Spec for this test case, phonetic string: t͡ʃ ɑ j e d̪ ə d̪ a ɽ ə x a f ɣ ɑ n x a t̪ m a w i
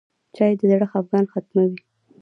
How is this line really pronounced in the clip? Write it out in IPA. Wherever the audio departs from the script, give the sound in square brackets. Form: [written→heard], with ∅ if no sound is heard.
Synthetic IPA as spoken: t͡ʃ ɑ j e d̪ ə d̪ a ɽ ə x a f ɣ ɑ n x a t̪ m a w i

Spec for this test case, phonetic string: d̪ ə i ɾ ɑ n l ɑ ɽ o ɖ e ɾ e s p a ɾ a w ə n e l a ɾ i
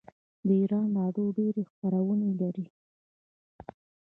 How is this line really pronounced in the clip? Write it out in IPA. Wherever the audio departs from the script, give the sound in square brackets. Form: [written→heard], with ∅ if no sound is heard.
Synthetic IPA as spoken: d̪ ə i ɾ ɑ n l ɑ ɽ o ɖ e ɾ e [s→x] p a ɾ a w ə n e l a ɾ i

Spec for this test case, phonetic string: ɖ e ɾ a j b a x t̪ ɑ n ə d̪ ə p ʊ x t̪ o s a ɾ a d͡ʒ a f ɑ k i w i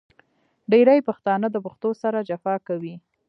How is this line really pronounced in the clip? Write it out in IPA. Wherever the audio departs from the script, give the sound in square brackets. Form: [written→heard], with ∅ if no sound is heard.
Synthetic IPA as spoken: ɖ e ɾ a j [b→p] a x t̪ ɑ n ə d̪ ə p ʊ x t̪ o s a ɾ a d͡ʒ a f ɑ k [i→a] w i

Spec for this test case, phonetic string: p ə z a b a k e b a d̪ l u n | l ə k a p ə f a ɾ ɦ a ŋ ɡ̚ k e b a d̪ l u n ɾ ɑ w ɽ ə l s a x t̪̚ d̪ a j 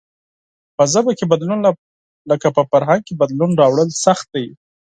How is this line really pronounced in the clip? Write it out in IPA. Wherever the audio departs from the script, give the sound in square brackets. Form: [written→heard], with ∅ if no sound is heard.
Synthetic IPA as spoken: p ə z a b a k e b a d̪ l u n | l ə k a p ə f a ɾ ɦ a ŋ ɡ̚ k e b a d̪ l u n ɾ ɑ w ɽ ə l s a x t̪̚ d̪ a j

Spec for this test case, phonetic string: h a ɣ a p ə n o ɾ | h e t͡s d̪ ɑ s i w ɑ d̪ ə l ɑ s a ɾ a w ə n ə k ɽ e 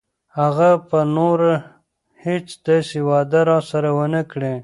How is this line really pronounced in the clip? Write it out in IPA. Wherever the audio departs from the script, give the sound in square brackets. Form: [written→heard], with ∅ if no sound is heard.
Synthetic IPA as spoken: h a ɣ a p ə n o ɾ | h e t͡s d̪ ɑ s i w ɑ d̪ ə [l→ɾ] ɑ s a ɾ a w ə n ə k ɽ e

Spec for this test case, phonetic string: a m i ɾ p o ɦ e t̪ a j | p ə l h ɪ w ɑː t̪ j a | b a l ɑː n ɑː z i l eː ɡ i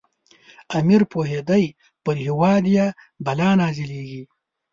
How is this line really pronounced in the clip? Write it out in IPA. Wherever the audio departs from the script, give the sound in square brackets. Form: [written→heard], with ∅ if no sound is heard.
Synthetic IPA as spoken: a m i ɾ p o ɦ e [t̪→d̪] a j | p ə [l→ɾ] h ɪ w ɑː [t̪→d̪] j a | b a l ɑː n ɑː z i l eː ɡ i

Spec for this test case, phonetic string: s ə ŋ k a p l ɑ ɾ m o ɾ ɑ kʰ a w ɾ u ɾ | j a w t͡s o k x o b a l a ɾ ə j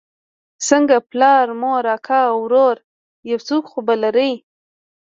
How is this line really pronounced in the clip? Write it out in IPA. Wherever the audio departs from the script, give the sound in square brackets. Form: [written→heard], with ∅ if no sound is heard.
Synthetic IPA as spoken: s ə ŋ [k→ɡ] a p l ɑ ɾ m o ɾ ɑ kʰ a w ɾ [u→o] ɾ | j a w t͡s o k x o b a l a ɾ ə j

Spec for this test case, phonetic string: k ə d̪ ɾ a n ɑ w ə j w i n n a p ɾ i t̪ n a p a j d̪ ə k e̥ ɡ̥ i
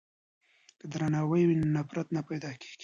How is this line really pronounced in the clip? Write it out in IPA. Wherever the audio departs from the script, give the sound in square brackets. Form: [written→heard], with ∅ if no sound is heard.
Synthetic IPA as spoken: k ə d̪ ɾ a n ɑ w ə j w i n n a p ɾ [i→a] t̪ n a p a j d̪ [ə→ɑ] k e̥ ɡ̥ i

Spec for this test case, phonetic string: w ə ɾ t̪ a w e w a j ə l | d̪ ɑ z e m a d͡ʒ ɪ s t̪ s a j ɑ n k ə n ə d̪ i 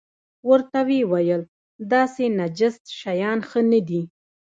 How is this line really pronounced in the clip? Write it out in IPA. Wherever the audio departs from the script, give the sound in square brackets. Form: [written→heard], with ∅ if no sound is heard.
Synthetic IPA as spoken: w ə ɾ t̪ a w e w a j ə l | d̪ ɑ [z→s] e [m→n] a d͡ʒ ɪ s t̪ [s→ʃ] a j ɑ n [k→x] ə n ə d̪ i

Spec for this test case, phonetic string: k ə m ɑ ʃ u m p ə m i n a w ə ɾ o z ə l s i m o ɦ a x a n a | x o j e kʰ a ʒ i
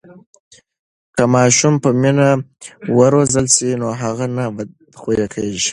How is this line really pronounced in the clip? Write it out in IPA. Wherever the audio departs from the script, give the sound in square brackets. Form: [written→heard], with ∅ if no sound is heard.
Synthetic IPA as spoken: k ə m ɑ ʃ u m p ə m i n a w ə ɾ o z ə l s i [m→n] o ɦ a [x→ɣ] a n a | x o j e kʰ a ʒ i

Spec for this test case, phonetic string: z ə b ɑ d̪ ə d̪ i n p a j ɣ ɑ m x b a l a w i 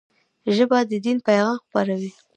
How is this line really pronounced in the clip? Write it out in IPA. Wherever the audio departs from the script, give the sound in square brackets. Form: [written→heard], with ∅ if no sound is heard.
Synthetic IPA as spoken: [z→ʒ] ə b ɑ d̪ ə d̪ i n p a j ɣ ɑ m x [b→p] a [l→ɾ] a w i

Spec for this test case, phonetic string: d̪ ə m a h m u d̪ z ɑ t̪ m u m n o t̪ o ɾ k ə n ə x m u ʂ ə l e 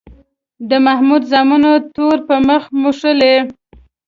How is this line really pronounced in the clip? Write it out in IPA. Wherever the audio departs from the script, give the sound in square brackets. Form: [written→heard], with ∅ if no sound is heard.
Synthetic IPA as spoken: d̪ ə m a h m u d̪ z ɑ [t̪→∅] m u [m→∅] n o t̪ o ɾ [k→p] ə [n→m] ə x m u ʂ ə l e

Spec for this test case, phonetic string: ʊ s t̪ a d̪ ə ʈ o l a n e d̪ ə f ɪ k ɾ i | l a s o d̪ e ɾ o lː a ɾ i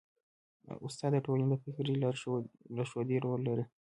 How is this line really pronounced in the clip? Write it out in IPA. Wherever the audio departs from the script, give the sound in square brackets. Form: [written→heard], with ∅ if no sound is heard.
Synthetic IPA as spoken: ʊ s t̪ [a→ɑ] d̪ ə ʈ o l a n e d̪ ə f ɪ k ɾ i | l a [s→ʃ] o d̪ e ɾ o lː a ɾ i

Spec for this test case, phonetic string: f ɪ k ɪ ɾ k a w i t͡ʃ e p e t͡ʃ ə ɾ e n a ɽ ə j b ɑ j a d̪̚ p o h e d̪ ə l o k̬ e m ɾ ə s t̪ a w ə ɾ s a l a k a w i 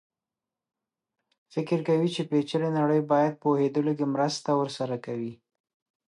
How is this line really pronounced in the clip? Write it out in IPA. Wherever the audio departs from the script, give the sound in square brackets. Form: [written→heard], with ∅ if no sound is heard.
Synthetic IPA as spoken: f ɪ k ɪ ɾ k a w i t͡ʃ e p e t͡ʃ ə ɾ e n a ɽ ə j b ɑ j a d̪̚ p o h e d̪ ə l o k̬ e m ɾ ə s t̪ a w ə ɾ s a [l→ɾ] a k a w i

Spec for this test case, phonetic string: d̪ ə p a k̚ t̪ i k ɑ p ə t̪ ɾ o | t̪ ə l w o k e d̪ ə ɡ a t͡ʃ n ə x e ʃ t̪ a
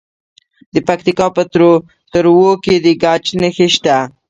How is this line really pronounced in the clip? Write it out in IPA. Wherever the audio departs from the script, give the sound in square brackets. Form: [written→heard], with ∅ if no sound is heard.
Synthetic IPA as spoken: d̪ ə p a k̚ t̪ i k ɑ p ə t̪ ɾ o | t̪ ə [l→ɾ] w o k e d̪ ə ɡ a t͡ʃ n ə x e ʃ t̪ a

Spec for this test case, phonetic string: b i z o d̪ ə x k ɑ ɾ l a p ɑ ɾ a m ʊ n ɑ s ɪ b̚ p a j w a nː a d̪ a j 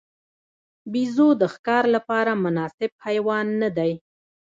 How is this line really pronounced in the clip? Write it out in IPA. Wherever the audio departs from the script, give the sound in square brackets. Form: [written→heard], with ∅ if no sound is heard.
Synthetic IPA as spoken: b i z o d̪ ə x k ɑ ɾ l a p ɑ ɾ a m ʊ n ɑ s ɪ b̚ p a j w [a→ɑ] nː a d̪ a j

